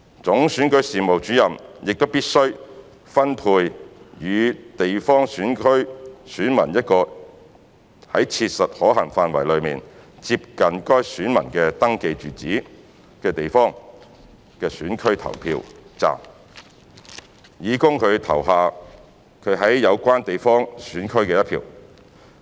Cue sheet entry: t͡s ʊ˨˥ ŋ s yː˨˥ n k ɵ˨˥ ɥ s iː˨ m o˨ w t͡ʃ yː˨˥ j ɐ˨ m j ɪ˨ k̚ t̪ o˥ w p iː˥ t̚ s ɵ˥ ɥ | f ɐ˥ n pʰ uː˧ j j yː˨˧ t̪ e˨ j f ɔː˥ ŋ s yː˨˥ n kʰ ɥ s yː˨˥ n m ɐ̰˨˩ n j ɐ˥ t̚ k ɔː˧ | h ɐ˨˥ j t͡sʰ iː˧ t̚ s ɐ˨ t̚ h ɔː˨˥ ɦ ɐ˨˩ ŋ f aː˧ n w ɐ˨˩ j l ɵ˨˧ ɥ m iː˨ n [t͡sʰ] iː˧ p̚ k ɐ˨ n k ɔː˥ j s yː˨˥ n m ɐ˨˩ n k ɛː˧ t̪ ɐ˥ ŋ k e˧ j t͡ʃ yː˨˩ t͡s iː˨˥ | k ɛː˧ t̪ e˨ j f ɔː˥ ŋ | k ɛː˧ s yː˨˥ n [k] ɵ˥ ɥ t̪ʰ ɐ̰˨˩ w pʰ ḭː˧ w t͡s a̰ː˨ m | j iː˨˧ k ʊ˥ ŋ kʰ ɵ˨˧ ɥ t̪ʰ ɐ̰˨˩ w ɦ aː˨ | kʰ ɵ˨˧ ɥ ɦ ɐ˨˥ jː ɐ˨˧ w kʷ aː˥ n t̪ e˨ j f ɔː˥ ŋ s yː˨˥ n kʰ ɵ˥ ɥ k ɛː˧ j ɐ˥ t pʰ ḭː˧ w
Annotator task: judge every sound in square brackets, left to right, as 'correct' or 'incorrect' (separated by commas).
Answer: incorrect, incorrect